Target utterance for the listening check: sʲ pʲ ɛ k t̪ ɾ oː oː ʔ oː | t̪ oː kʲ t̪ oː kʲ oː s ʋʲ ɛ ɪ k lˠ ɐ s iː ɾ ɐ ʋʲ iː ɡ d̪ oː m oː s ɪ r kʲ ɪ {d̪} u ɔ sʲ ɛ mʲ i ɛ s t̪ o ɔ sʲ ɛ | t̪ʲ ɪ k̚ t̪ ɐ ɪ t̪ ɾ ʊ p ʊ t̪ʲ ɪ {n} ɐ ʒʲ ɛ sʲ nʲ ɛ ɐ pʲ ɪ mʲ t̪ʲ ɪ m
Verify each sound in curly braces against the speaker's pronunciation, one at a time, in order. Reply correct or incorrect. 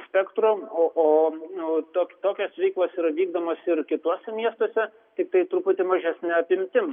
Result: incorrect: t̪, incorrect: m

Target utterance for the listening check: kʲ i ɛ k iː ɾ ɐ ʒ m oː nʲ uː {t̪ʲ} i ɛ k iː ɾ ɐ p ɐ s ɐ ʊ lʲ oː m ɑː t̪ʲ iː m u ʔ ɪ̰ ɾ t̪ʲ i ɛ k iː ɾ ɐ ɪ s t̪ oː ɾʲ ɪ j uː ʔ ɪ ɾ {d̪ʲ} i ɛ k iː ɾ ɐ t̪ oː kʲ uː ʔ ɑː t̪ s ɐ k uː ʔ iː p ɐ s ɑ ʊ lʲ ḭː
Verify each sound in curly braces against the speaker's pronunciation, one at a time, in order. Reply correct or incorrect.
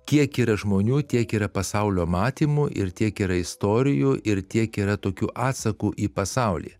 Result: correct, incorrect: t̪ʲ

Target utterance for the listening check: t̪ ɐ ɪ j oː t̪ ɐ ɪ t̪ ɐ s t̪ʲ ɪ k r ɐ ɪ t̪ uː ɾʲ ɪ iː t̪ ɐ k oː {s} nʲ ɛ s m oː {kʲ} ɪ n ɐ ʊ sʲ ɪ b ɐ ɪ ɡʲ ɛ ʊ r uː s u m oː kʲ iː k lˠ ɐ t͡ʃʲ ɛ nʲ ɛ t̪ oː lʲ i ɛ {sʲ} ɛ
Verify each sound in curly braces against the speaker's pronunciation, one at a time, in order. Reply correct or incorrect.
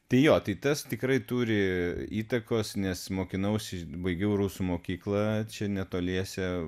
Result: correct, correct, correct

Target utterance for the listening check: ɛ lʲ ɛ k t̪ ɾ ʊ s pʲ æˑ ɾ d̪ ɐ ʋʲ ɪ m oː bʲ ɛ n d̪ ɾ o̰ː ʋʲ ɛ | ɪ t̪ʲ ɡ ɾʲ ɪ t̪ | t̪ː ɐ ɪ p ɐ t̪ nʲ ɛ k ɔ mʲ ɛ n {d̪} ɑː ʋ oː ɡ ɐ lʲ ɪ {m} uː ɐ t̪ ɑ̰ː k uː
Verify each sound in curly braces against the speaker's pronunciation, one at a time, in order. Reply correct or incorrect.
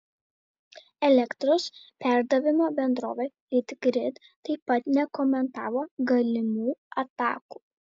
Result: incorrect: t̪, correct

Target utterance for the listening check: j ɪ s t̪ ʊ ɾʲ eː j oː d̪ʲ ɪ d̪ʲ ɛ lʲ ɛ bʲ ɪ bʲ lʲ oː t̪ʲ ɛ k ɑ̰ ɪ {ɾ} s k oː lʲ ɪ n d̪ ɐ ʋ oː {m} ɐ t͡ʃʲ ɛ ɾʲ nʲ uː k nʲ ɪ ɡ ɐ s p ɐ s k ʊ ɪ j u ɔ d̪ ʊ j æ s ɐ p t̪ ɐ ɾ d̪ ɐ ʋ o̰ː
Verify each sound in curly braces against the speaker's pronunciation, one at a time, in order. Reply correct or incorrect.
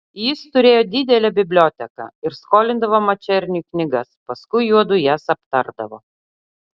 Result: correct, correct

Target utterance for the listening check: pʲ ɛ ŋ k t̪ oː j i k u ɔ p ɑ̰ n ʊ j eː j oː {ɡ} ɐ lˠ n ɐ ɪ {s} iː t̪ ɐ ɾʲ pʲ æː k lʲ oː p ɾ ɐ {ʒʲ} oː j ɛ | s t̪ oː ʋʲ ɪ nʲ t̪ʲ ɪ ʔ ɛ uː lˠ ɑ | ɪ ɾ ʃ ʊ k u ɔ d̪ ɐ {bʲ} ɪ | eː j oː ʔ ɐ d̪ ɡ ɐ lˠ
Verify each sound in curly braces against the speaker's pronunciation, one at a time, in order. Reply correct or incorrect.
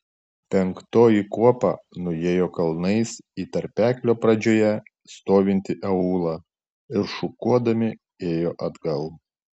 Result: incorrect: k, correct, incorrect: d͡ʒʲ, incorrect: mʲ

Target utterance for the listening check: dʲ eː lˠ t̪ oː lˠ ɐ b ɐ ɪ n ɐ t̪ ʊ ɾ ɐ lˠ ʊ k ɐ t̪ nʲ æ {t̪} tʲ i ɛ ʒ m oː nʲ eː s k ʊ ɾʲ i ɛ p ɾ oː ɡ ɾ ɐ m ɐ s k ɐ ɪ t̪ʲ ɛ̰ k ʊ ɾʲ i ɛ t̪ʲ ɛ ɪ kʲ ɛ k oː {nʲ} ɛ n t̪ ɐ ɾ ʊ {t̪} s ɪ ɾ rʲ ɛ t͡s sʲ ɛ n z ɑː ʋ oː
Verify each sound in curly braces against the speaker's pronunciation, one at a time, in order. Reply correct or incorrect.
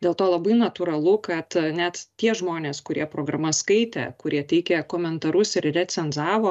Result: correct, incorrect: mʲ, incorrect: none

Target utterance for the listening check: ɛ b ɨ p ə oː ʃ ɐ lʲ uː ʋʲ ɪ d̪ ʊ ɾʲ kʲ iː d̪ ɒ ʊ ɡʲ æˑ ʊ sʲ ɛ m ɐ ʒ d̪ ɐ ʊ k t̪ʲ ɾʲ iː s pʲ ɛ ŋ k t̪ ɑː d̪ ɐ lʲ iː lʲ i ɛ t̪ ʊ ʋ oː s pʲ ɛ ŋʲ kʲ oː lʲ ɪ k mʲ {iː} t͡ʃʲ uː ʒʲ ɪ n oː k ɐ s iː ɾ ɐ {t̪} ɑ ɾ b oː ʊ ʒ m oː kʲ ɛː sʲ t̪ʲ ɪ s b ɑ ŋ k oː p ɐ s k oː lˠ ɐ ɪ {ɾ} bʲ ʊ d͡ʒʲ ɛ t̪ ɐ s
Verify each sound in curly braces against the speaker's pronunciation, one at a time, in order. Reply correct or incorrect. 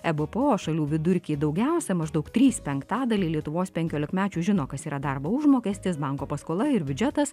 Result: incorrect: æː, incorrect: d̪, correct

